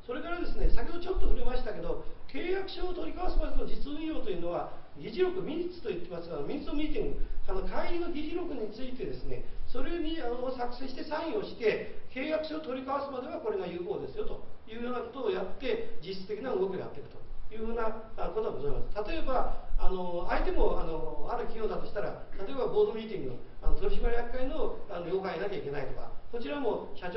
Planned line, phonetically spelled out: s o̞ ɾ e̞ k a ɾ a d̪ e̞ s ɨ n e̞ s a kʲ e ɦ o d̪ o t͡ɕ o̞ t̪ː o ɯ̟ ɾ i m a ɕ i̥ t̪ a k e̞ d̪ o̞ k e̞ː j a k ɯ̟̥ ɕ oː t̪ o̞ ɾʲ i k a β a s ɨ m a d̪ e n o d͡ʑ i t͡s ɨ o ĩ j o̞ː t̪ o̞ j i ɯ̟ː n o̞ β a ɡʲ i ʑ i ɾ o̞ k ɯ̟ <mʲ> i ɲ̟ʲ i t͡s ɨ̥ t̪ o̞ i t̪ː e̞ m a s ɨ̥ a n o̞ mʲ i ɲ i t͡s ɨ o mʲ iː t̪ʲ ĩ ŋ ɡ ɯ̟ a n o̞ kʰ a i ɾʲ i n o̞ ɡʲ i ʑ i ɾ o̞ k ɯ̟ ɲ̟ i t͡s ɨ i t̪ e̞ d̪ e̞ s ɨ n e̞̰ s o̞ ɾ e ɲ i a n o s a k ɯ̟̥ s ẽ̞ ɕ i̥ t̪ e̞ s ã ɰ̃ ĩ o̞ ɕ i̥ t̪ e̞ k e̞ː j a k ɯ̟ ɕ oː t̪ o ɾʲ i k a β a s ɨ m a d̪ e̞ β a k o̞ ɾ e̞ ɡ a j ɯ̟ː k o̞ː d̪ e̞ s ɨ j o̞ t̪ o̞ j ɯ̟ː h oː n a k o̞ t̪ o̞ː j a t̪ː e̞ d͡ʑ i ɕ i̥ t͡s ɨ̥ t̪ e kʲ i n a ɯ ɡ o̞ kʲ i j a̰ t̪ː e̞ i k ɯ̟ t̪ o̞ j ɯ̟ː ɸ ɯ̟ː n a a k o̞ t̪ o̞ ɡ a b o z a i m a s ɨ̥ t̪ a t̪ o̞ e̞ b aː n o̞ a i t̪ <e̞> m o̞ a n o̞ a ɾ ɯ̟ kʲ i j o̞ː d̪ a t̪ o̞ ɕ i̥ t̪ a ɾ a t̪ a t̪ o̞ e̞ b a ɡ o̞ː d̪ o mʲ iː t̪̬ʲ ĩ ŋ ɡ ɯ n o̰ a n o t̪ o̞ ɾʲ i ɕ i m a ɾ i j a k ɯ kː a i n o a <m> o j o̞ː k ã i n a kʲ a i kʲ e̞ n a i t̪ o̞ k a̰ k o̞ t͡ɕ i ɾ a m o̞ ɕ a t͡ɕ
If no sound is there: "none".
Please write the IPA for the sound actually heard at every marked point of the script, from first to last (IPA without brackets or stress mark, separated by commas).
mʲ, e̞, n